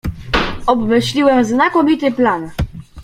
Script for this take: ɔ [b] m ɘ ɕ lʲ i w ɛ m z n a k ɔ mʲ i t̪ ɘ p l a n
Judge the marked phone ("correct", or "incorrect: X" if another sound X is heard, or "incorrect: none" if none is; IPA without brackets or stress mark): correct